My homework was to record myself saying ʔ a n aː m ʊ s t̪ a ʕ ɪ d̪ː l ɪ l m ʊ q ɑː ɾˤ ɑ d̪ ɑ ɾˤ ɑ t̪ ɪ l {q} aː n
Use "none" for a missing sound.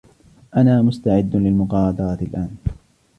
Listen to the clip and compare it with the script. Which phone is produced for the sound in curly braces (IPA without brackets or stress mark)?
ʔ